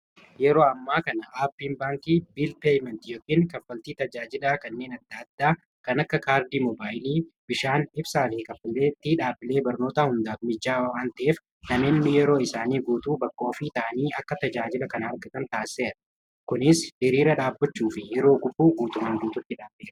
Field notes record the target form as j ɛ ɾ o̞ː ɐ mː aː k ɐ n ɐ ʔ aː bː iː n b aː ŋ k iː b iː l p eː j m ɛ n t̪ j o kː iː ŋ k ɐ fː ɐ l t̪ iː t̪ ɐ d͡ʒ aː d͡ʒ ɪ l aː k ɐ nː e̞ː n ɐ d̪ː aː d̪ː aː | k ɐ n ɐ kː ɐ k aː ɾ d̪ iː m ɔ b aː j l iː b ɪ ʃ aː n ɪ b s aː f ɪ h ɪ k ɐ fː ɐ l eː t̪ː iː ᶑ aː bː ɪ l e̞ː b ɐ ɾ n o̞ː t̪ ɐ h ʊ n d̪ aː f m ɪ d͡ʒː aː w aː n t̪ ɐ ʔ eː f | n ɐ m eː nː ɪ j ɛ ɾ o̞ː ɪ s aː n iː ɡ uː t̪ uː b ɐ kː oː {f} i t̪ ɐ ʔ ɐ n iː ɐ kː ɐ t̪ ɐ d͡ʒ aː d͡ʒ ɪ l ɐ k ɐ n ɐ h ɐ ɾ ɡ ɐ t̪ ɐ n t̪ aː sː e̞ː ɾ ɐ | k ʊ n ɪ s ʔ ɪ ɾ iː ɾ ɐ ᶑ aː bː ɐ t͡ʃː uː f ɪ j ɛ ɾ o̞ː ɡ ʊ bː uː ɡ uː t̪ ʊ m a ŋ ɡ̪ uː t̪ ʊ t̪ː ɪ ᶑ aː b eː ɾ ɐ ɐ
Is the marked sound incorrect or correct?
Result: correct